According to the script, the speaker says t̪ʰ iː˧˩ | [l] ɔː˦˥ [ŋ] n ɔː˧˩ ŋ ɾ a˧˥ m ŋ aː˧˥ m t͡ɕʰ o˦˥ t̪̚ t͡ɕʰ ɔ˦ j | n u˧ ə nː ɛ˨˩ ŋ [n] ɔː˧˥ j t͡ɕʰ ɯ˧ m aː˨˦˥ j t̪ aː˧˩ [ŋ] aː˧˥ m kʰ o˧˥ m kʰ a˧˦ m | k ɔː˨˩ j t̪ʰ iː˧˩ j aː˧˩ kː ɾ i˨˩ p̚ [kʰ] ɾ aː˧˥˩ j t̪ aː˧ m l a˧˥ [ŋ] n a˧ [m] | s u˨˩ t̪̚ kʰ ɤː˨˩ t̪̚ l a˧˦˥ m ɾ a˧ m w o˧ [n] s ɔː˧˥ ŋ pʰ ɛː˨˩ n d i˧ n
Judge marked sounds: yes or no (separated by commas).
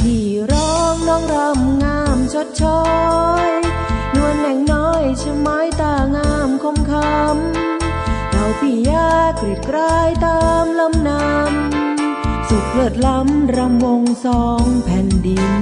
no, yes, yes, yes, no, no, yes, no